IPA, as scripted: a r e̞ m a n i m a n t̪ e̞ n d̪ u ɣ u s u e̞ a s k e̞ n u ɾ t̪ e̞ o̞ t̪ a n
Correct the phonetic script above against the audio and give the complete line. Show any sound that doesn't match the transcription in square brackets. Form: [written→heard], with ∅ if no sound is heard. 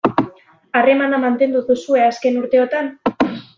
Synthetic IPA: a r e̞ m a n [i→a] m a n t̪ e̞ n d̪ u [ɣ→ð] u s u e̞ a s k e̞ n u ɾ t̪ e̞ o̞ t̪ a n

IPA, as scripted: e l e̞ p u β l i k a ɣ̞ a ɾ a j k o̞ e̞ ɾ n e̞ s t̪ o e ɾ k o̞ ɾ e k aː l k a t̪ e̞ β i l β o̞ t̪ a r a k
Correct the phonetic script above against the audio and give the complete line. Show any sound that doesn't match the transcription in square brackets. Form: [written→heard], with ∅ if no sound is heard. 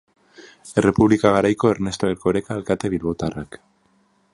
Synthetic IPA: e [l→r] e̞ p u β l i k a ɣ̞ a ɾ a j k o̞ e̞ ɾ n e̞ s t̪ o e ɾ k o̞ ɾ e k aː l k a t̪ e̞ β i l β o̞ t̪ a r a k

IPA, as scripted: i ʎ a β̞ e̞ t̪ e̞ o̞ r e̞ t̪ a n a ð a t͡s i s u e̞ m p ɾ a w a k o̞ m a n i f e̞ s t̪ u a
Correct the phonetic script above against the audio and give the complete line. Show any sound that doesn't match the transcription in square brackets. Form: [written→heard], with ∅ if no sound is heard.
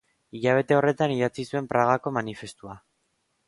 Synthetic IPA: i ʎ a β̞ e̞ t̪ e̞ o̞ r e̞ t̪ a n [a→i] ð a t͡s i s u e̞ m p ɾ a [w→ɣ] a k o̞ m a n i f e̞ s t̪ u a

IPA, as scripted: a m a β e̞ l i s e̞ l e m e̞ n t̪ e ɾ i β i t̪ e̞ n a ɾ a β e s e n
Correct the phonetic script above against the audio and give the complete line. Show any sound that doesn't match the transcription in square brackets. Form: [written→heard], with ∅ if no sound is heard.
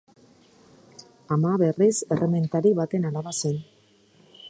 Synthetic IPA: a m a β e̞ [l→r] i s e̞ [l→r] e m e̞ n t̪ [e→a] ɾ i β [i→a] t̪ e̞ n a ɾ a β [e→a] s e n

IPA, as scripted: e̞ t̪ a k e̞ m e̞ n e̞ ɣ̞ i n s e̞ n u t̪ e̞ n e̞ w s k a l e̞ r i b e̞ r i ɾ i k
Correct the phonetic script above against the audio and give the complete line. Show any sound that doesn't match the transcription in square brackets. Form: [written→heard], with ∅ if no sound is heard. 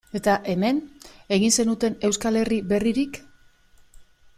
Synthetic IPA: e̞ t̪ a [k→ʔ] e̞ m e̞ n e̞ ɣ̞ i n s e̞ n u t̪ e̞ n e̞ w s k a l e̞ r i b e̞ r i ɾ i k

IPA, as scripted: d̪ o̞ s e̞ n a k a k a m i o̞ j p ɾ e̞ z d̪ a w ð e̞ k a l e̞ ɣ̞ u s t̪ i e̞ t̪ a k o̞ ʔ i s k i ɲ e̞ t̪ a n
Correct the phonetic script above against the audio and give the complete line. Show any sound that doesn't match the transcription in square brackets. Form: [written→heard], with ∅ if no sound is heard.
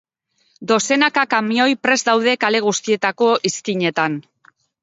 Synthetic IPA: d̪ o̞ s e̞ n a k a k a m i o̞ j p ɾ e̞ z d̪ a w ð e̞ k a l e̞ ɣ̞ u s t̪ i e̞ t̪ a k o̞ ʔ i s k i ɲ e̞ t̪ a n

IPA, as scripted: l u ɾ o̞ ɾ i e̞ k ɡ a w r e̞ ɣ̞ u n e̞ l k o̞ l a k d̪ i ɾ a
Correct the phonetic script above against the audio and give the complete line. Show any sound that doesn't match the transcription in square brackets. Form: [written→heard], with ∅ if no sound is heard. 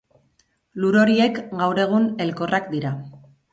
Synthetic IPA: l u ɾ o̞ ɾ i e̞ k ɡ a w [r→ɾ] e̞ ɣ̞ u n e̞ l k o̞ [l→r] a k d̪ i ɾ a

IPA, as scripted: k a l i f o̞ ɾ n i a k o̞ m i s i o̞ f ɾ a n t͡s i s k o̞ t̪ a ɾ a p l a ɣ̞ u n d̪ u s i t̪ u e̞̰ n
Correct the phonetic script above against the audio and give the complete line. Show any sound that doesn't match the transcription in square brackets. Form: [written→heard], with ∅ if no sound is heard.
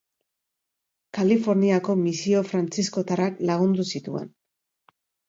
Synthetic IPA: k a l i f o̞ ɾ n i a k o̞ m i s i o̞ f ɾ a n t͡s i s k o̞ t̪ a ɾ a [p→k] l a ɣ̞ u n d̪ u s i t̪ u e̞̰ n

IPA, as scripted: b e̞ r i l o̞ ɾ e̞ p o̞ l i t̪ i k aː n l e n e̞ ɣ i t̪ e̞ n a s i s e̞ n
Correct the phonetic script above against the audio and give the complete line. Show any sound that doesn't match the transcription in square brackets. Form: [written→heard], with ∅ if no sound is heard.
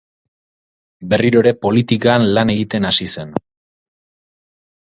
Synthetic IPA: b e̞ r i [l→ɾ] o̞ ɾ e̞ p o̞ l i t̪ i k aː n l [e→a] n e̞ ɣ i t̪ e̞ n a s i s e̞ n

